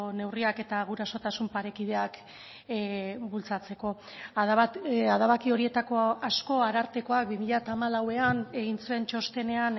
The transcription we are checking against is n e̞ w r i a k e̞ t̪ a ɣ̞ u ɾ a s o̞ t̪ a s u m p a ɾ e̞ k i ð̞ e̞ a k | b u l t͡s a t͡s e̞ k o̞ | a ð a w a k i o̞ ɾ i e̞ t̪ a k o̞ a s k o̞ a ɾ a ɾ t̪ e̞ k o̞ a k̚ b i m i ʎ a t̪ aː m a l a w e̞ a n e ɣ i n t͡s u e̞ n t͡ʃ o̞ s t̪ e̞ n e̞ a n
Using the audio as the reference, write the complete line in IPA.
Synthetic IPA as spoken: n e̞ w r i a k e̞ t̪ a ɣ̞ u ɾ a s o̞ t̪ a s u m p a ɾ e̞ k i ð̞ e̞ a k | b u l t͡s a t͡s e̞ k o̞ | a ð a β a k i o̞ ɾ i e̞ t̪ a k o̞ a s k o̞ a ɾ a ɾ t̪ e̞ k o̞ a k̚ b i m i ʎ a t̪ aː m a l a w e̞ a n e ɣ i n t͡s u e̞ n t͡ʃ o̞ s t̪ e̞ n e̞ a n

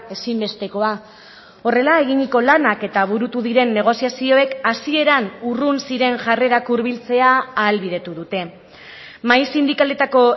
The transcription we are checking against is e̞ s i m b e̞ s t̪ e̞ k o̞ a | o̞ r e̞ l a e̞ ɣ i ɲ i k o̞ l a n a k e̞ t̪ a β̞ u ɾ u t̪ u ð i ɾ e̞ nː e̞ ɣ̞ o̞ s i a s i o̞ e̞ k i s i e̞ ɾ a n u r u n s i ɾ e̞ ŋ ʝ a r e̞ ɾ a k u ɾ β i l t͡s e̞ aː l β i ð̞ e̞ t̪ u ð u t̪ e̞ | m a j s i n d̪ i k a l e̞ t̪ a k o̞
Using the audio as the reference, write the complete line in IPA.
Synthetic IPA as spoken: e̞ s i m b e̞ s t̪ e̞ k o̞ a | o̞ r e̞ l a e̞ ɣ i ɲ i k o̞ l a n a k e̞ t̪ a β̞ u ɾ u t̪ u ð i ɾ e̞ nː e̞ ɣ̞ o̞ s i a s i o̞ e̞ k a s i e̞ ɾ a n u r u n s i ɾ e̞ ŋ ʝ a r e̞ ɾ a k u ɾ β i l t͡s e̞ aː l β i ð̞ e̞ t̪ u ð u t̪ e̞ | m a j s i n d̪ i k a l e̞ t̪ a k o̞

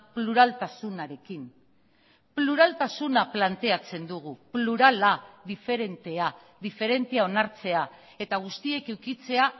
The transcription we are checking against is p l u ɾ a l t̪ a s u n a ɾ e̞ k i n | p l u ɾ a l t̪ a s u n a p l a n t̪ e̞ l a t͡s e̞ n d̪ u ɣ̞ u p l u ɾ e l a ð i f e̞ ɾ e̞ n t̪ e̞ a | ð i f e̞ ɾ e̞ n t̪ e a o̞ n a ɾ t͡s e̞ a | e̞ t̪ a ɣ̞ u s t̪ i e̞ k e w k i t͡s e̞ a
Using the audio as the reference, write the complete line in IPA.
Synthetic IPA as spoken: p l u ɾ a l t̪ a s u n a ɾ e̞ k i n | p l u ɾ a l t̪ a s u n a p l a n t̪ e̞ a t͡s e̞ n d̪ u ɣ̞ u p l u ɾ a l a ð i f e̞ ɾ e̞ n t̪ e̞ a | ð i f e̞ ɾ e̞ n t̪ e a o̞ n a ɾ t͡s e̞ a | e̞ t̪ a ɣ̞ u s t̪ i e̞ k e w k i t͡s e̞ a

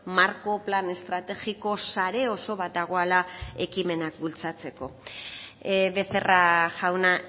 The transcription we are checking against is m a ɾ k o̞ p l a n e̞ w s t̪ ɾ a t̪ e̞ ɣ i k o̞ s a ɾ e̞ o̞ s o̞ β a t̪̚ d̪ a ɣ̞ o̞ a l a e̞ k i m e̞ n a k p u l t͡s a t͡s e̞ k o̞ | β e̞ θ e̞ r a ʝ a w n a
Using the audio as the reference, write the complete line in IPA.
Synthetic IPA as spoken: m a ɾ k o̞ p l a n e̞ s t̪ ɾ a t̪ e̞ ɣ i k o̞ s a ɾ e̞ o̞ s o̞ β a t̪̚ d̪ a ɣ̞ o̞ a l a e̞ k i m e̞ n a k b u l t͡s a t͡s e̞ k o̞ | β e̞ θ e̞ r a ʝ a w n a

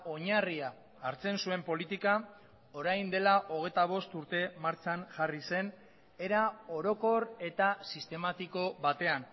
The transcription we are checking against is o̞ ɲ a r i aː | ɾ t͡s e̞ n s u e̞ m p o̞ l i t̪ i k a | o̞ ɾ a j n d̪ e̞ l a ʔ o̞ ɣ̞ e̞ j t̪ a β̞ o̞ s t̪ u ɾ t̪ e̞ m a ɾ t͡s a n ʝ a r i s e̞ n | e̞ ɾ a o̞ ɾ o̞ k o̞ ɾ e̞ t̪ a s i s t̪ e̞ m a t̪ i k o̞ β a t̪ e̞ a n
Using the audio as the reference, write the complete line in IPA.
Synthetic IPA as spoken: o̞ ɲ a r i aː | ɾ t͡s e̞ n s u e̞ m p o̞ l i t̪ i k a | o̞ ɾ a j n d̪ e̞ l a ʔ o̞ ɣ̞ e̞ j t̪ a β̞ o̞ s t̪ u ɾ t̪ e̞ m a ɾ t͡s a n ʝ a r i s e̞ n | e̞ ɾ a o̞ ɾ o̞ k o̞ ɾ e̞ t̪ a s i s t̪ e̞ m a t̪ i k o̞ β a t̪ e̞ a n

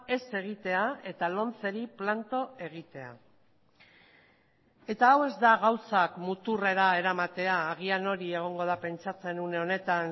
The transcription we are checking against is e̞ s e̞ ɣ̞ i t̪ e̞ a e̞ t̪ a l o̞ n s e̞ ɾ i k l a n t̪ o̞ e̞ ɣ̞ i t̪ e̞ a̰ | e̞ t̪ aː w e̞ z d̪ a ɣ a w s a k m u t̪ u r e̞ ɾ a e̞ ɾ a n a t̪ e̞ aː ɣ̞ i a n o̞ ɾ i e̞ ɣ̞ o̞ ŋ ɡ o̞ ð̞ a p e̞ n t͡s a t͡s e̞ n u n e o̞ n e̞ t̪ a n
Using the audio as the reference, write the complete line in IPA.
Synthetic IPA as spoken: e̞ s e̞ ɣ̞ i t̪ e̞ a e̞ t̪ a l o̞ n t͡s e̞ ɾ i p l a n t̪ o̞ e̞ ɣ̞ i t̪ e̞ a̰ | e̞ t̪ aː w e̞ z d̪ a ɣ a w s a k m u t̪ u r e̞ ɾ a e̞ ɾ a m a t̪ e̞ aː ɣ̞ i a n o̞ ɾ i e̞ ɣ̞ o̞ ŋ ɡ o̞ ð̞ a p e̞ n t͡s a t͡s e̞ n u n e o̞ n e̞ t̪ a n

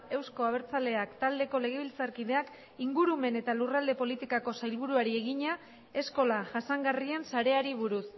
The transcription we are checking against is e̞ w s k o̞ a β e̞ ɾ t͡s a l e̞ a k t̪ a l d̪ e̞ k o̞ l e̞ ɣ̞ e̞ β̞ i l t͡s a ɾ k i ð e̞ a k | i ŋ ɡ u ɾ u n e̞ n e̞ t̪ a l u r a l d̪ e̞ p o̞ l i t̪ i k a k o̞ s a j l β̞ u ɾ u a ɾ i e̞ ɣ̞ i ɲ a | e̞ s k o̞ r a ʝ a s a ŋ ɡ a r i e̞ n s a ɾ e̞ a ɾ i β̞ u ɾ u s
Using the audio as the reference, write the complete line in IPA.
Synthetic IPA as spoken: e̞ w s k o̞ a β e̞ ɾ t͡s a l e̞ a k t̪ a l d̪ e̞ k o̞ l e̞ ɣ̞ e̞ β̞ i l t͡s a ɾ k i ð e̞ a k | i ŋ ɡ u ɾ u m e̞ n e̞ t̪ a l u r a l d̪ e̞ p o̞ l i t̪ i k a k o̞ s a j l β̞ u ɾ u a ɾ i e̞ ɣ̞ i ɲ a | e̞ s k o̞ l a ʝ a s a ŋ ɡ a r i e̞ n s a ɾ e̞ a ɾ i β̞ u ɾ u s

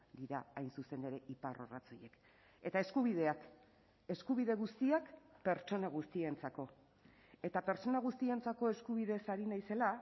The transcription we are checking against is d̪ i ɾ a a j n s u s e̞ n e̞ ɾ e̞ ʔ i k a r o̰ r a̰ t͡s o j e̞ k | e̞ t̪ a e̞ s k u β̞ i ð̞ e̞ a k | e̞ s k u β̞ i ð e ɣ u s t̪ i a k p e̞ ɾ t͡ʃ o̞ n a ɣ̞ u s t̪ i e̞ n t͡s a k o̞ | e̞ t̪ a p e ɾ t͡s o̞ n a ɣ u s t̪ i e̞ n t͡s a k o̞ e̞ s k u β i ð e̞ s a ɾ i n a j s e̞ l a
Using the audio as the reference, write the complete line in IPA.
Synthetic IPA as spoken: d̪ i ɾ a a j n s u s e̞ n e̞ ɾ e̞ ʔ i p a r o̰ r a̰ t͡s o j e̞ k | e̞ t̪ a e̞ s k u β̞ i ð̞ e̞ a k | e̞ s k u β̞ i ð e ɣ u s t̪ i a k p e̞ ɾ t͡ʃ o̞ n a ɣ̞ u s t̪ i e̞ n t͡s a k o̞ | e̞ t̪ a p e ɾ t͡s o̞ n a ɣ u s t̪ i e̞ n t͡s a k o̞ e̞ s k u β i ð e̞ s a ɾ i n a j s e̞ l a

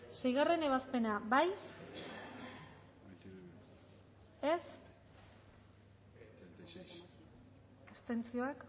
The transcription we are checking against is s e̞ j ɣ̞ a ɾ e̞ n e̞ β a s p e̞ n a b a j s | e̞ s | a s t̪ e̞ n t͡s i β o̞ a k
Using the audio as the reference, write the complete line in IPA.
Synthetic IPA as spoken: s e̞ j ɣ̞ a r e̞ n e̞ β a s p e̞ n a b a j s | e̞ s | e s t̪ e̞ n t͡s i o̞ a k

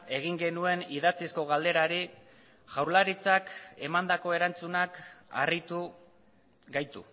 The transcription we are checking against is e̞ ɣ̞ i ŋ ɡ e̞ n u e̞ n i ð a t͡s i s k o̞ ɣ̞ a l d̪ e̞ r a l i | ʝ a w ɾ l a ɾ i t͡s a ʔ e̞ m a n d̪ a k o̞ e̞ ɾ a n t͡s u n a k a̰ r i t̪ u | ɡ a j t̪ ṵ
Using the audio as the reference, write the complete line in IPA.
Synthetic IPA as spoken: e̞ ɣ̞ i ŋ ɡ e̞ n u e̞ n i ð a t͡s i s k o̞ ɣ̞ a l d̪ e̞ ɾ a ɾ i | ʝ a w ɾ l a ɾ i t͡s a k e̞ m a n d̪ a k o̞ e̞ ɾ a n t͡s u n a k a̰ r i t̪ u | ɡ a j t̪ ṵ

